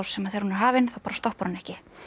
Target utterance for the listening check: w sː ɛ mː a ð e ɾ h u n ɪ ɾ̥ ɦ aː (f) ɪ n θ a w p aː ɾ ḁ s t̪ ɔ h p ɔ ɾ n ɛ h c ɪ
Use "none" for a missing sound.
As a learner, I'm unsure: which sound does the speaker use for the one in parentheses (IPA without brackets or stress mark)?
v